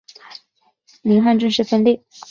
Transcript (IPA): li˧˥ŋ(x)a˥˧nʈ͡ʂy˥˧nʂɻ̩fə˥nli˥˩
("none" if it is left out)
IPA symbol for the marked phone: x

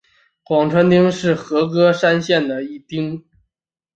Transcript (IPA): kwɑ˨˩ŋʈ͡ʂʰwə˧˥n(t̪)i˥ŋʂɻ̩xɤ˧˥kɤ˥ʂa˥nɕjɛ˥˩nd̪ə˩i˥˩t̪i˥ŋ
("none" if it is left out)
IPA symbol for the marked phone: t̪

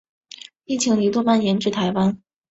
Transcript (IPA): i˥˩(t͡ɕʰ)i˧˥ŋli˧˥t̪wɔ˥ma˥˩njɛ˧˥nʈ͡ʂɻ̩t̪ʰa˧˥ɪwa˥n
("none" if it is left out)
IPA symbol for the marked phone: t͡ɕʰ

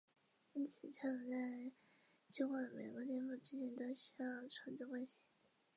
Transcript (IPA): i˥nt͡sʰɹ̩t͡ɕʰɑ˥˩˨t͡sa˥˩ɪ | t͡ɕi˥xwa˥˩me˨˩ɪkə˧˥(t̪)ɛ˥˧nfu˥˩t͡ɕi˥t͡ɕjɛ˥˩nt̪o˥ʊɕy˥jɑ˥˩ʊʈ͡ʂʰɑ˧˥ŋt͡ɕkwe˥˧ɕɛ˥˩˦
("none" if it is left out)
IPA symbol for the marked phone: t̪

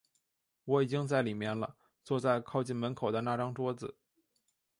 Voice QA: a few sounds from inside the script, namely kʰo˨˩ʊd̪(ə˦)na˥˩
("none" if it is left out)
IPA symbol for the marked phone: ə˦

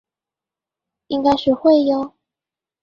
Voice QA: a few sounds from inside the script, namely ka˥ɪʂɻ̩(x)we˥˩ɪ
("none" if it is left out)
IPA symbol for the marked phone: x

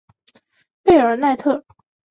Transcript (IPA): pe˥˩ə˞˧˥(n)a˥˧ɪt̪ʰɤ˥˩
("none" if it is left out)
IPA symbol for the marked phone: n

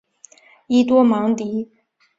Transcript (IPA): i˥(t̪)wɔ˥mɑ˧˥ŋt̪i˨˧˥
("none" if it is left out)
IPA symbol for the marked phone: t̪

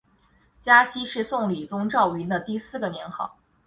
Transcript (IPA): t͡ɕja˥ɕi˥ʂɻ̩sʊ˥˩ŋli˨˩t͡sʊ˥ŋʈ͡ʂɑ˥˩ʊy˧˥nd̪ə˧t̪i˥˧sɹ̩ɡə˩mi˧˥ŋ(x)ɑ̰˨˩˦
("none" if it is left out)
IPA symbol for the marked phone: x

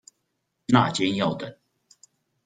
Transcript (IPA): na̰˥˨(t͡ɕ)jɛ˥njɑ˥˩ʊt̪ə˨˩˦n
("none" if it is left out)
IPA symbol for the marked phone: t͡ɕ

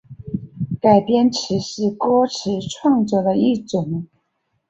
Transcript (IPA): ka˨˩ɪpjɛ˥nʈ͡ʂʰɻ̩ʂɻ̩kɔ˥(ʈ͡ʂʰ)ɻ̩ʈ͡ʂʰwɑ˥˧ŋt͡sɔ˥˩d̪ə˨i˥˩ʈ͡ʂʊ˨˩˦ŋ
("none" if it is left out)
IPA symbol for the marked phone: ʈ͡ʂʰ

